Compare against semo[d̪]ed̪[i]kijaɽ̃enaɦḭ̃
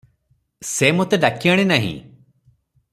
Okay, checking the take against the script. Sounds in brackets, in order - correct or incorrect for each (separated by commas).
incorrect, incorrect